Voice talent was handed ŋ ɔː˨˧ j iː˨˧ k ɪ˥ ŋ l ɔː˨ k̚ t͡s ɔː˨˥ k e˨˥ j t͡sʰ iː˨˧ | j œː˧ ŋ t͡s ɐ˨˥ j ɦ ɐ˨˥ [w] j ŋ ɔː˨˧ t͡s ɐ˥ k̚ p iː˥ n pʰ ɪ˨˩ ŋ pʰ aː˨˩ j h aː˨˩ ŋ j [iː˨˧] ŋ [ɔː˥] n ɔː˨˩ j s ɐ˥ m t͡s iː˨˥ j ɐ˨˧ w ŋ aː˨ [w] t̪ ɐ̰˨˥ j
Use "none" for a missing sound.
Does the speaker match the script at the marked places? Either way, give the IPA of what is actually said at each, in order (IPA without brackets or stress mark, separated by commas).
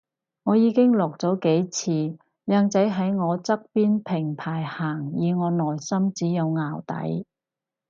none, iː˨˧, ɔː˨˧, w